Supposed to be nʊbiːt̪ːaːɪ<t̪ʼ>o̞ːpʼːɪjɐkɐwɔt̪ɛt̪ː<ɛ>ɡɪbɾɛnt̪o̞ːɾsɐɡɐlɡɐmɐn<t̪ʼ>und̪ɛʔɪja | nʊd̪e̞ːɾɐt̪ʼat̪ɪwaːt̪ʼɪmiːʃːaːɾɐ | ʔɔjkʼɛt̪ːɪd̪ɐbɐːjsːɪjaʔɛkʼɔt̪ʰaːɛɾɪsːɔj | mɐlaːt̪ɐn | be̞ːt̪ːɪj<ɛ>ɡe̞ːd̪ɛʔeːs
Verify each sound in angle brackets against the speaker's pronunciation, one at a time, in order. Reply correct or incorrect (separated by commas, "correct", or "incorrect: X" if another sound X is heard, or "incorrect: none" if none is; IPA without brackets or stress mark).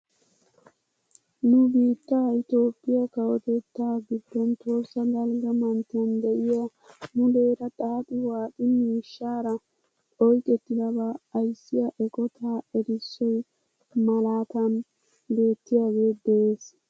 incorrect: t̪, incorrect: a, incorrect: t̪, incorrect: a